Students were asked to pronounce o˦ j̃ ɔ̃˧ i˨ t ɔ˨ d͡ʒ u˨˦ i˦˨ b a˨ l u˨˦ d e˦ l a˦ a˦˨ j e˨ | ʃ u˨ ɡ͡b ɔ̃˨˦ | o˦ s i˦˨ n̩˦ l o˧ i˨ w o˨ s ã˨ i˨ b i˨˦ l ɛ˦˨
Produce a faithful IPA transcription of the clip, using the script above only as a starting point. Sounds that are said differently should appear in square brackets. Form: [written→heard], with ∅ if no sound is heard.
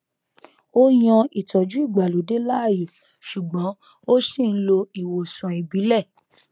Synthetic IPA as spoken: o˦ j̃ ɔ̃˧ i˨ t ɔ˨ d͡ʒ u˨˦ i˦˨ [b→ɡ͡b] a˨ l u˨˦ d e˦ l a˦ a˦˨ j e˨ | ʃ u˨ ɡ͡b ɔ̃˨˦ | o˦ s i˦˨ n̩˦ l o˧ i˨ w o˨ s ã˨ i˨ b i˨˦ l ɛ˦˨